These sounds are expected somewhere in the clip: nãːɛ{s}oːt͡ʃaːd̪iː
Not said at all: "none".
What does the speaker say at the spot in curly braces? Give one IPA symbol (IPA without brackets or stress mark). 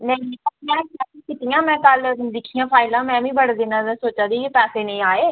s